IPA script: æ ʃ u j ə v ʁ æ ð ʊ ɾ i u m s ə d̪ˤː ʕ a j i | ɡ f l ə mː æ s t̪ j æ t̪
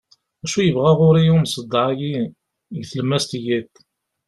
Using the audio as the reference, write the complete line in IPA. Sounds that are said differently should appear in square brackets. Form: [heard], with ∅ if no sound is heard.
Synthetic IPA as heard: æ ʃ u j ə v ʁ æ [ʁ] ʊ ɾ i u m s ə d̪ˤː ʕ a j i | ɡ [θ] l ə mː æ s t̪ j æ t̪